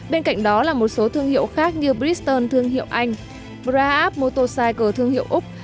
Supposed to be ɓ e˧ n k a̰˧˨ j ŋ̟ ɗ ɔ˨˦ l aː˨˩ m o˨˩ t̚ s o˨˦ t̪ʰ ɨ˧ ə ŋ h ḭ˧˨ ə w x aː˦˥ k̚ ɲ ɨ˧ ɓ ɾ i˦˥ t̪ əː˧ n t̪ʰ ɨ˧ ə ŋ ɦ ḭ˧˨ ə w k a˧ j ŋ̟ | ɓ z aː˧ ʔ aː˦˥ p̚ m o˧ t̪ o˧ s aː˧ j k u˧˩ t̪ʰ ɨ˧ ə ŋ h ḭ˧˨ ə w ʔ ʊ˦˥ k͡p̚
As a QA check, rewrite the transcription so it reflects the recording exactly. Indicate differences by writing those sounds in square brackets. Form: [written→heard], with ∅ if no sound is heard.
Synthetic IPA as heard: ɓ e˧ n k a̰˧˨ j ŋ̟ ɗ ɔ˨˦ l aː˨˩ m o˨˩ t̚ s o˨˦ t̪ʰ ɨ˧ ə ŋ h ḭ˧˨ ə w x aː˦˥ k̚ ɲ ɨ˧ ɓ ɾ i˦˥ t̪ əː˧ n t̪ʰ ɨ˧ ə ŋ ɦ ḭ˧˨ ə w [k→ʔ] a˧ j ŋ̟ | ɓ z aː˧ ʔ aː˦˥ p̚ m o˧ t̪ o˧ s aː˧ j k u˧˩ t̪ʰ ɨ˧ ə ŋ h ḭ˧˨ ə w ʔ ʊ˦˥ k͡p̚